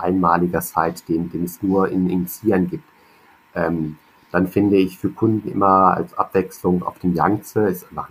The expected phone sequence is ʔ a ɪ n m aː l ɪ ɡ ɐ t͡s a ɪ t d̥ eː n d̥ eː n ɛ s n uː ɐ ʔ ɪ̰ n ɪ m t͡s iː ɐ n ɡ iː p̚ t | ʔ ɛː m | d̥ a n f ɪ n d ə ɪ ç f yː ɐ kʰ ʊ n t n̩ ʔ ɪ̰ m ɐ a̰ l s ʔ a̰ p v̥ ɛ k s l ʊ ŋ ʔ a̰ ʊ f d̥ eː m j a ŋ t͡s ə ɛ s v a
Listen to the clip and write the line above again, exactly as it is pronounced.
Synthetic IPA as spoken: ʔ a ɪ n m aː l ɪ ɡ ɐ t͡s a ɪ t d̥ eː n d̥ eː n ɛ s n uː ɐ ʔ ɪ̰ n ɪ n t͡s iː ɐ n ɡ iː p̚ t | ʔ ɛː m | d̥ a n f ɪ n d ə ɪ ç f yː ɐ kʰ ʊ n d n̩ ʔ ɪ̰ m ɐ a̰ l s ʔ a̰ p v̥ ɛ k s l ʊ ŋ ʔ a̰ ʊ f d̥ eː m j a ŋ t͡s ə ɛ s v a